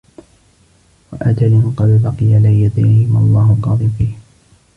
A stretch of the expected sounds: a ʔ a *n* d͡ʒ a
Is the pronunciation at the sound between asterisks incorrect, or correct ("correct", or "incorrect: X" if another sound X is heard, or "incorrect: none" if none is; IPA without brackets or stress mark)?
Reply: incorrect: none